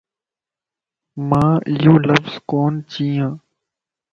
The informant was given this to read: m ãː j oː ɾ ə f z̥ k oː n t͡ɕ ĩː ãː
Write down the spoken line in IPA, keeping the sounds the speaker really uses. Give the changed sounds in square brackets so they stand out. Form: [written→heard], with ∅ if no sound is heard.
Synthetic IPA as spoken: m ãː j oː [ɾ→l] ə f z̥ k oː n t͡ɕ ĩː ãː